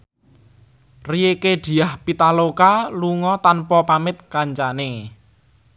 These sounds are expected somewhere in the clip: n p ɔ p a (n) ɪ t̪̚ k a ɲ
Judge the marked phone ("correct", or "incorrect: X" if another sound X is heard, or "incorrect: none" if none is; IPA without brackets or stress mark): incorrect: m